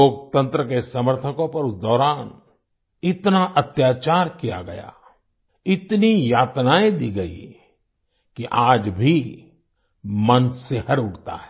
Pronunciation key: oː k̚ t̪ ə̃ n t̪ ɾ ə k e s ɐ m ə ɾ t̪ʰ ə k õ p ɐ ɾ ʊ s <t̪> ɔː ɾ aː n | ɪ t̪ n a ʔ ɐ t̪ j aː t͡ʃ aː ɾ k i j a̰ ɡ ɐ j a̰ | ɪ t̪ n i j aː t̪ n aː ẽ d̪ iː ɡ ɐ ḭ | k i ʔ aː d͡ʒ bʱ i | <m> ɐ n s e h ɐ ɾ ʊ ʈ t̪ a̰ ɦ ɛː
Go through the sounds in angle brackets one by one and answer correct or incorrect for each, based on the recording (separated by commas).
incorrect, correct